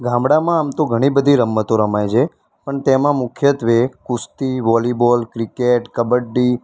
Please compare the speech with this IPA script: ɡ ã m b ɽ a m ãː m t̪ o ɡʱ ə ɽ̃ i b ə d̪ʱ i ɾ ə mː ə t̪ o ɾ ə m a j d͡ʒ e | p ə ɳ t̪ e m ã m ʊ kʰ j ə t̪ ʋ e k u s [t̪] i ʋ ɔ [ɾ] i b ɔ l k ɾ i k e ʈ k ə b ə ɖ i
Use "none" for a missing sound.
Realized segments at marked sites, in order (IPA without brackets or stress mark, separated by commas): t̪, l